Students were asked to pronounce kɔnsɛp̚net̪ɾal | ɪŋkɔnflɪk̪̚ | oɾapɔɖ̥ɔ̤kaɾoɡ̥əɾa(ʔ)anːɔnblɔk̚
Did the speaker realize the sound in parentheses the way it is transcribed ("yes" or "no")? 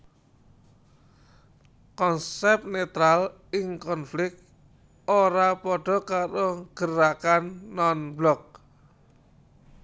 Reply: no